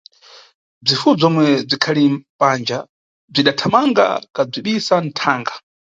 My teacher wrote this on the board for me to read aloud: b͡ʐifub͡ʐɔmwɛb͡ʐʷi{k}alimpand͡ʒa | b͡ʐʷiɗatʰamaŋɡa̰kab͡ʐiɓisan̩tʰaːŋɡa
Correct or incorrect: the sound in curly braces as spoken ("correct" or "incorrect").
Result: incorrect